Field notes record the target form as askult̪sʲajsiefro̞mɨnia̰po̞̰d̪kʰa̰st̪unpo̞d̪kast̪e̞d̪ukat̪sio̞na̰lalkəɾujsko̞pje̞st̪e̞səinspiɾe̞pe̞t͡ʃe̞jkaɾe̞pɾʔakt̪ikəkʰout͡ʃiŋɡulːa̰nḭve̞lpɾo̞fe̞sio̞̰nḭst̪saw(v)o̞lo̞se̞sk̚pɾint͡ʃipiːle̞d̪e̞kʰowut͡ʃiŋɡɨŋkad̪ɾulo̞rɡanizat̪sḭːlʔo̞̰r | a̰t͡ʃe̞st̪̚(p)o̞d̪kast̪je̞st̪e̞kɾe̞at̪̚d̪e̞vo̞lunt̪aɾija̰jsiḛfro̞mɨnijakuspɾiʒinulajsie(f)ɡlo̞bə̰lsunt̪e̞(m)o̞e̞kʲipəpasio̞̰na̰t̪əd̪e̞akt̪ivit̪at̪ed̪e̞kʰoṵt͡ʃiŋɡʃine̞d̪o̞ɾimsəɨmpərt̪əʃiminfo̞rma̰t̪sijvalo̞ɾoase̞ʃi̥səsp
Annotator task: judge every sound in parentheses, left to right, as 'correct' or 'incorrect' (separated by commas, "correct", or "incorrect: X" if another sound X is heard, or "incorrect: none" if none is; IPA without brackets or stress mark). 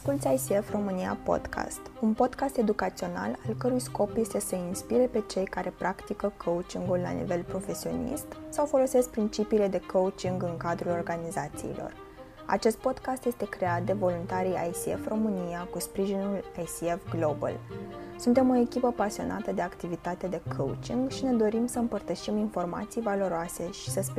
incorrect: f, correct, correct, correct